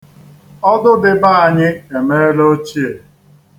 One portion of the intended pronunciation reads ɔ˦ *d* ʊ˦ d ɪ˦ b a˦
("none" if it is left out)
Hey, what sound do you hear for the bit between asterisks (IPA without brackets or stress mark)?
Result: d